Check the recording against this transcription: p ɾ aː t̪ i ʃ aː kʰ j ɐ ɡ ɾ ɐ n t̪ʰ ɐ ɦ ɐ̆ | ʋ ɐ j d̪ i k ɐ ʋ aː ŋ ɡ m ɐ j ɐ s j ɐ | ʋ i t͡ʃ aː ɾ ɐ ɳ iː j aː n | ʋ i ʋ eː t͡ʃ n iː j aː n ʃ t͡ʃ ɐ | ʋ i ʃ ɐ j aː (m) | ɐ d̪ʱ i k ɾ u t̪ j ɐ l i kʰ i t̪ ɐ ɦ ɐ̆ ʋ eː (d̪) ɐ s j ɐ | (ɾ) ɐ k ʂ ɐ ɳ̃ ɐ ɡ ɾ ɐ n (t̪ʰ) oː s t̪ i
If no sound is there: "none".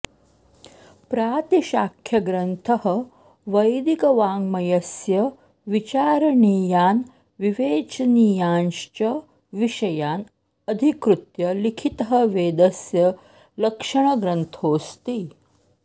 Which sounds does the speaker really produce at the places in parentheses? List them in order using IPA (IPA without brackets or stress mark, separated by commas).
n, d̪, l, t̪ʰ